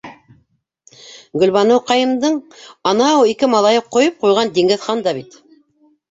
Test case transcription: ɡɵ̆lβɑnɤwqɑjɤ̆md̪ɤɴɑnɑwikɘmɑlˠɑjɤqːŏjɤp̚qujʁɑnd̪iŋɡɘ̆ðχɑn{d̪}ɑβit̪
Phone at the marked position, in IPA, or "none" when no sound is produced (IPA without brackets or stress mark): d̪